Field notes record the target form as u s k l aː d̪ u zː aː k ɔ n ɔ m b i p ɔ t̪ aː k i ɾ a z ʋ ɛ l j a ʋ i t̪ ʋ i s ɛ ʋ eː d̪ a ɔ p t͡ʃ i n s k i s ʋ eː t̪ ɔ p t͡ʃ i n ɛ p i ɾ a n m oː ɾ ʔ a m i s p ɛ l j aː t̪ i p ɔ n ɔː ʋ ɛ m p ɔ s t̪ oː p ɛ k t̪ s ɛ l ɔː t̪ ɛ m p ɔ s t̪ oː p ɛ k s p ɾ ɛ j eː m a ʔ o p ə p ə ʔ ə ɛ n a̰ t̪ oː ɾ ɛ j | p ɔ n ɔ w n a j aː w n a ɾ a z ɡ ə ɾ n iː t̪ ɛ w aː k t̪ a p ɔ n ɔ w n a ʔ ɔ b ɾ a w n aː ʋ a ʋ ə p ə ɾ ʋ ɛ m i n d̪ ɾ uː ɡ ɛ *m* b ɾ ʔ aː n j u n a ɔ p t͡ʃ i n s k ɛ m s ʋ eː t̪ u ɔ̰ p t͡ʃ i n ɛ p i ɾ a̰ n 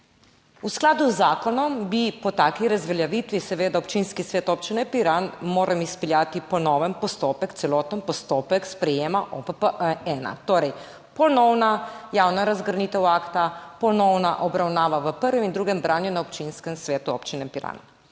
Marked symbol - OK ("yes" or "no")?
yes